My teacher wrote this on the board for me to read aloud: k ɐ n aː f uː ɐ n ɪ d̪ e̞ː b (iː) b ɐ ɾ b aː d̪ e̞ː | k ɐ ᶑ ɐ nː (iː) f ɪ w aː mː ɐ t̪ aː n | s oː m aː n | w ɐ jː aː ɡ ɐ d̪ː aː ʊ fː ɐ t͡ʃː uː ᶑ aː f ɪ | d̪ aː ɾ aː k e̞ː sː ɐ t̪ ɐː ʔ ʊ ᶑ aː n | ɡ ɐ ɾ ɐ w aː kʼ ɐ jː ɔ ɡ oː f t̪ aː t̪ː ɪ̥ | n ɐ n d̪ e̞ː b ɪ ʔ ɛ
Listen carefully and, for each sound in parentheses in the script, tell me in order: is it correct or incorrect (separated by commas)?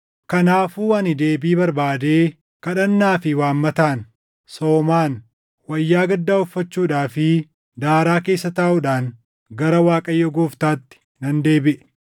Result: correct, incorrect